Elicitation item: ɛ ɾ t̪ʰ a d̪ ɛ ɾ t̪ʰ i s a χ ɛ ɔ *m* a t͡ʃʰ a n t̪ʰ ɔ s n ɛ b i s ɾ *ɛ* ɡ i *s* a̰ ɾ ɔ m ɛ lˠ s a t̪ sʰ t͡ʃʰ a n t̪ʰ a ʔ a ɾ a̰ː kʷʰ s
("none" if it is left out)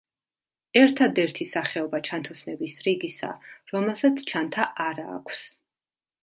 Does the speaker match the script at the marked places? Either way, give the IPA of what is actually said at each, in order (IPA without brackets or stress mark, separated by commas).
b, i, s